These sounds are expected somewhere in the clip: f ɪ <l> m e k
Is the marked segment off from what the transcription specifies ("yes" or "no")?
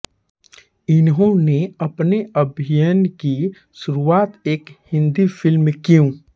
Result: no